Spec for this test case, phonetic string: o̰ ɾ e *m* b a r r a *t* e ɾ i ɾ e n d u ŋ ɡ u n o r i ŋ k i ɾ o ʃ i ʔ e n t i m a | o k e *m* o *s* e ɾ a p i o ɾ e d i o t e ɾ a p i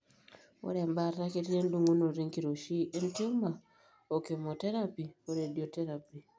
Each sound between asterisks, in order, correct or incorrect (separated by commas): correct, incorrect, correct, incorrect